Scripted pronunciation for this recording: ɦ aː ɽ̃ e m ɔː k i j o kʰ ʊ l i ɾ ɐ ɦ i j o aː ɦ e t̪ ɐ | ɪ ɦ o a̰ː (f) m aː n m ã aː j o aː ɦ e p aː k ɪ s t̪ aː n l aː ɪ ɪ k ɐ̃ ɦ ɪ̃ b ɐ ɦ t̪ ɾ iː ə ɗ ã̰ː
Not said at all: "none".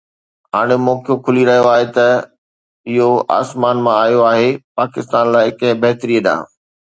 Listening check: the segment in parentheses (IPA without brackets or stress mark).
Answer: s